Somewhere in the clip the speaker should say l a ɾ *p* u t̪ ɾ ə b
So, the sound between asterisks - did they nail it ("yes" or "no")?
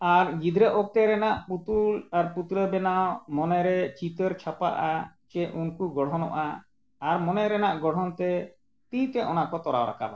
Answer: yes